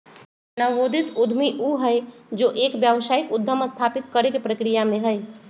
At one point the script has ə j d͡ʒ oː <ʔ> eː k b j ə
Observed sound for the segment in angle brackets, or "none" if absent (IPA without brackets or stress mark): ʔ